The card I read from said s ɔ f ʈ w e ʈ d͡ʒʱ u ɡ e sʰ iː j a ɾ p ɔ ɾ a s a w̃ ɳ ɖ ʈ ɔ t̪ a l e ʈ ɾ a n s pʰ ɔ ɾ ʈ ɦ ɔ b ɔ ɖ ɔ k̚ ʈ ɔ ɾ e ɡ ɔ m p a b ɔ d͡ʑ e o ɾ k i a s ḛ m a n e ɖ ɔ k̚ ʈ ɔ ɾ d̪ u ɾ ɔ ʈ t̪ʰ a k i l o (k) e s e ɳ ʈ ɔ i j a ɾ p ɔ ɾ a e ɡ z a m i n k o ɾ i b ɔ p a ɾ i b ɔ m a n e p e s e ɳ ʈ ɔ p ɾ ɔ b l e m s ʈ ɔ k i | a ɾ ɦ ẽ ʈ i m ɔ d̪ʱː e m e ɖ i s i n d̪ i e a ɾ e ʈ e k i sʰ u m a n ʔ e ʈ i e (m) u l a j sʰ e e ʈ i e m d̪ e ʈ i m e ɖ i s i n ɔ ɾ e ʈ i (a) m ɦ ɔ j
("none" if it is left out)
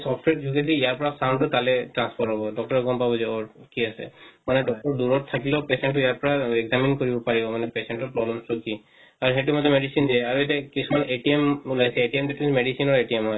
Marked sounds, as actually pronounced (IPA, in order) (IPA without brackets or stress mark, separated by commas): p, m, e